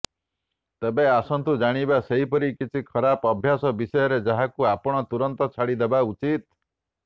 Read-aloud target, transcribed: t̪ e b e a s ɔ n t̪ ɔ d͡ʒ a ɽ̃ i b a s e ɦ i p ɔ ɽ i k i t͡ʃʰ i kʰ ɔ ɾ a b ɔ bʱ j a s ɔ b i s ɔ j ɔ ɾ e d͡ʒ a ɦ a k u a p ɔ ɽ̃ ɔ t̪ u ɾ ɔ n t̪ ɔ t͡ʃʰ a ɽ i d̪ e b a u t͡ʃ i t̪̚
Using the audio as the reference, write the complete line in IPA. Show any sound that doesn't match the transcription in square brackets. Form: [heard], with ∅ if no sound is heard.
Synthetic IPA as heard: t̪ e b e a s ɔ n t̪ [u] d͡ʒ a ɽ̃ i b a s e ɦ i p ɔ [ɾ] i k i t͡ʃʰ i kʰ ɔ ɾ a [p] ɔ bʱ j a s ɔ b i s ɔ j ɔ ɾ e d͡ʒ a ɦ a k u a p ɔ ɽ̃ ɔ t̪ u ɾ ɔ n t̪ ɔ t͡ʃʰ a ɽ i d̪ e b a u t͡ʃ i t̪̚